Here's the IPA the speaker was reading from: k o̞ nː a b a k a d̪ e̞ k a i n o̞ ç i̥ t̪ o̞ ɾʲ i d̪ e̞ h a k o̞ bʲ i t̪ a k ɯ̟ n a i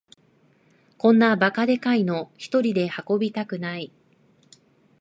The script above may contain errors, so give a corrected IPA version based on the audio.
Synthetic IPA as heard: k õ̞ nː a b a k a d̪ e̞ k a i n o̞ ç i̥ t̪ o̞ ɾʲ i d̪ e̞ h a k o̞ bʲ i t̪ a k ɯ̟ n a i